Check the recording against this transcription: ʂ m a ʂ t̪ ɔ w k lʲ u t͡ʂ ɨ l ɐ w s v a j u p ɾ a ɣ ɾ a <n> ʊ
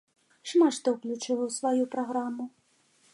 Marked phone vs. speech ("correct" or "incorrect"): incorrect